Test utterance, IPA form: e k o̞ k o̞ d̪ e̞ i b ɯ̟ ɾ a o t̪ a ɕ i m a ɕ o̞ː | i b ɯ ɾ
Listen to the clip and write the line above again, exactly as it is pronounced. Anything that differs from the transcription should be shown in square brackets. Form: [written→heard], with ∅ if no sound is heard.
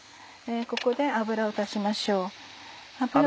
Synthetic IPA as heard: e k o̞ k o̞ d̪ e̞ [i→a] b ɯ̟ ɾ a o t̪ a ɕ i m a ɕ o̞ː | [i→a] b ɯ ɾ

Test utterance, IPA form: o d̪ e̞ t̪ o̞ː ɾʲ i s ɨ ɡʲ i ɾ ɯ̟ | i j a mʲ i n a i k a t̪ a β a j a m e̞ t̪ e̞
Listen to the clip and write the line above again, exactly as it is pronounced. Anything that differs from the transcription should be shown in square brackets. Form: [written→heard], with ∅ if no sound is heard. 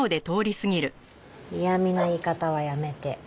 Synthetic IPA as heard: o d̪ e̞ t̪ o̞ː ɾʲ i s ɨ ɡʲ i ɾ ɯ̟ | i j a mʲ i n a i k a t̪ a β a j a m e̞ t̪ e̞

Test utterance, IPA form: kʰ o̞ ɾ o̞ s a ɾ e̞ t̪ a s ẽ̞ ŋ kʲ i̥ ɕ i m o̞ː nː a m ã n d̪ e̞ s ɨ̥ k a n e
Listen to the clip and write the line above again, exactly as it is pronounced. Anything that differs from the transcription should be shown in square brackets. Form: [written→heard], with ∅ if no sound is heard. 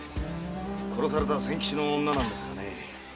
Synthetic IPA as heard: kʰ o̞ ɾ o̞ s a ɾ e̞ t̪ a s ẽ̞ ŋ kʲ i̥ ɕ i [m→n] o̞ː nː a [m→n] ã n d̪ e̞ s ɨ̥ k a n e

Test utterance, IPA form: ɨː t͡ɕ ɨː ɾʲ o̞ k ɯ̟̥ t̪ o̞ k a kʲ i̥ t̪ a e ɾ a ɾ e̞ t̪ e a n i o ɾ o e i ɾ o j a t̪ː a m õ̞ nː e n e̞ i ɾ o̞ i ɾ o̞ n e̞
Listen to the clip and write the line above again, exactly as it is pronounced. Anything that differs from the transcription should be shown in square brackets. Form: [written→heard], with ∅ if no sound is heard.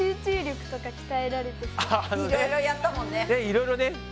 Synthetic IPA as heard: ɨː t͡ɕ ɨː ɾʲ o̞ k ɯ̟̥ t̪ o̞ k a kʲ i̥ t̪ a e ɾ a ɾ e̞ t̪ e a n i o ɾ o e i ɾ o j a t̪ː a m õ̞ nː e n e̞ i ɾ o̞ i ɾ o̞ n e̞

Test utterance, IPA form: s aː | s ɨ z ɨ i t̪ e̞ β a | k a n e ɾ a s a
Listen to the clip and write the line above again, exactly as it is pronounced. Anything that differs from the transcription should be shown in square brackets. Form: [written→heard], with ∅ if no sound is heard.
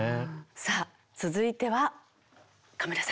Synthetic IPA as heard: s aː | [s→t͡s] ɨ z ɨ i t̪ e̞ β a | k a [n→m] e ɾ a s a

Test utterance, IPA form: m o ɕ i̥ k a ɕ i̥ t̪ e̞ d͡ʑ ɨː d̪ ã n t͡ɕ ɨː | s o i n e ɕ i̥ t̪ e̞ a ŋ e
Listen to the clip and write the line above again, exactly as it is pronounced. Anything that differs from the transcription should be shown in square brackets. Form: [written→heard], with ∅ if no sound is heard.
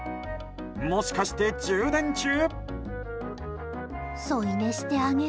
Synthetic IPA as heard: m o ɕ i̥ k a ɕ i̥ t̪ e̞ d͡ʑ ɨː d̪ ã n t͡ɕ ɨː | s o i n e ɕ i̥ t̪ e̞ a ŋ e

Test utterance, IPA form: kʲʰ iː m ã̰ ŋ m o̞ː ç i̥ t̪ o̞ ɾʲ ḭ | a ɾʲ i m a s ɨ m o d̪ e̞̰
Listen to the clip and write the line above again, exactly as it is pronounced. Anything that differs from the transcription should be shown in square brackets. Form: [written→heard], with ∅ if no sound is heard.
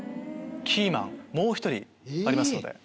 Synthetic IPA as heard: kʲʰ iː m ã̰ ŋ m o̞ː ç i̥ t̪ o̞ ɾʲ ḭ | a ɾʲ i m a s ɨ [m→n] o d̪ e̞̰

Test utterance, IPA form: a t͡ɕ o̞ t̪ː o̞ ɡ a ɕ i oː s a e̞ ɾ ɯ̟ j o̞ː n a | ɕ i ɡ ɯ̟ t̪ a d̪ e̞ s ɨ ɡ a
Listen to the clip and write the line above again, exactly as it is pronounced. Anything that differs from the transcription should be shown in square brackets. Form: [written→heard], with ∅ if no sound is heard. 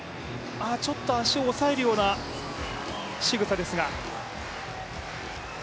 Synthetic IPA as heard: a t͡ɕ o̞ t̪ː o̞ [ɡ→∅] a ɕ i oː s a e̞ ɾ ɯ̟ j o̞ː n a | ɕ i ɡ ɯ̟ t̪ a d̪ e̞ s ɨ ɡ a

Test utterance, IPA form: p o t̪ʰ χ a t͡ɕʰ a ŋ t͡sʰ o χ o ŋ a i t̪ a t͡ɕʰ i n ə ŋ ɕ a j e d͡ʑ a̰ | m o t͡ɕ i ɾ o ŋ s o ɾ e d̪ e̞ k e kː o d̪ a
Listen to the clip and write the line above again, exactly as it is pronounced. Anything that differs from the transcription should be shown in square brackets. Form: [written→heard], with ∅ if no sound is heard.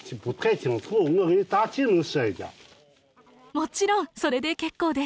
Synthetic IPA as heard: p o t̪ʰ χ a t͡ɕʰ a ŋ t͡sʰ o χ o ŋ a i t̪ a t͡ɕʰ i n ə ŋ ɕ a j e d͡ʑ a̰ | m o t͡ɕ i ɾ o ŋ s o ɾ e d̪ e̞ k e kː o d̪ [a→e]

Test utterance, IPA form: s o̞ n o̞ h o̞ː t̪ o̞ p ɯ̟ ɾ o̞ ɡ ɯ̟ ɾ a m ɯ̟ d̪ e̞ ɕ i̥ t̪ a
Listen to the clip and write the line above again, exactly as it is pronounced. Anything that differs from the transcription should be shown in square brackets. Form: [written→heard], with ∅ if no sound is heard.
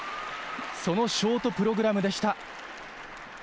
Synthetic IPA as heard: s o̞ n o̞ [h→ɕ] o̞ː t̪ o̞ p ɯ̟ ɾ o̞ ɡ ɯ̟ ɾ a m ɯ̟ d̪ e̞ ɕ i̥ t̪ a

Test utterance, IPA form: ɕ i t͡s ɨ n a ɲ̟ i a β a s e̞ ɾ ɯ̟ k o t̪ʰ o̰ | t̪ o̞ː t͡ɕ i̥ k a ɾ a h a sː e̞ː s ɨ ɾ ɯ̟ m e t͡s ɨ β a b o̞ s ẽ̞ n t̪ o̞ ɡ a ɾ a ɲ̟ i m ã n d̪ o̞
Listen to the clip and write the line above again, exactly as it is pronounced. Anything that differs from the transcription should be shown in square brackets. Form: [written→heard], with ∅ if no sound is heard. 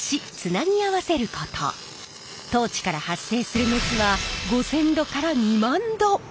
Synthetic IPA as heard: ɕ i t͡s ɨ n a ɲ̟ i a β a s e̞ ɾ ɯ̟ k o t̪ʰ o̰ | t̪ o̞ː t͡ɕ i̥ k a ɾ a h a sː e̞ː s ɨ ɾ ɯ̟ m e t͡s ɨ β a [b→ɡ] o̞ s ẽ̞ n [t̪→d̪] o̞ [ɡ→k] a ɾ a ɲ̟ i m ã n d̪ o̞

